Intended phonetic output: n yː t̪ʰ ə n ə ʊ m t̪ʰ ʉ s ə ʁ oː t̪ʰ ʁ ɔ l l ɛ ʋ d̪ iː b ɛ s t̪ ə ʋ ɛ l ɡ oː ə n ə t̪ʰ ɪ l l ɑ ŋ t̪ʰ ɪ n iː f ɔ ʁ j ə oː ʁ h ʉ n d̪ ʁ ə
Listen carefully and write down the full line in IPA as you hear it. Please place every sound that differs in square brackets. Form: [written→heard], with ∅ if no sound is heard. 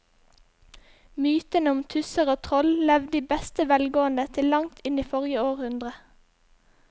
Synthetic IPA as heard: [n→m] yː [t̪ʰ→t̪] ə n ə ʊ m t̪ʰ ʉ s ə ʁ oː t̪ʰ ʁ ɔ l l ɛ ʋ d̪ iː b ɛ s t̪ ə ʋ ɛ l ɡ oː ə n ə t̪ʰ ɪ l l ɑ ŋ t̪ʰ ɪ n iː f ɔ ʁ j ə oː ʁ h ʉ n d̪ ʁ ə

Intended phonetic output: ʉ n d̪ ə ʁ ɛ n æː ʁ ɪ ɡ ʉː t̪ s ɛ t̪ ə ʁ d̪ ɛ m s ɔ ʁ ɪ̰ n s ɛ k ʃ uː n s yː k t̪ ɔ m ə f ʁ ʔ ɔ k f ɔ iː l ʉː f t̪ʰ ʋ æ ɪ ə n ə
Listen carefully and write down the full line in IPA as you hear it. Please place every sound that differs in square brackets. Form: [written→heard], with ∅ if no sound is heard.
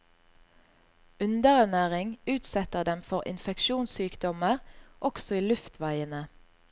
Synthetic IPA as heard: ʉ n d̪ ə ʁ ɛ n æː ʁ ɪ [ɡ→ŋ] ʉː t̪ s ɛ t̪ ə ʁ d̪ ɛ m [s→f] ɔ ʁ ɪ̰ n [s→f] ɛ k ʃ uː n s yː k [t̪→d̪] ɔ m ə [f→∅] ʁ ʔ ɔ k [f→s] ɔ iː l [ʉː→ʉ] f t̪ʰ ʋ æ ɪ ə n ə

